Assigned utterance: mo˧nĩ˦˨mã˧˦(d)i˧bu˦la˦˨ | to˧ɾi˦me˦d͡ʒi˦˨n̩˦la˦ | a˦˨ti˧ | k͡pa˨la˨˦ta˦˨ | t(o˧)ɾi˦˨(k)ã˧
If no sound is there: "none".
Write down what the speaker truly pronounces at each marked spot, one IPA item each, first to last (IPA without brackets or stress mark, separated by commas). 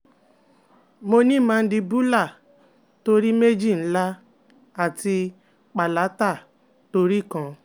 d, o˧, k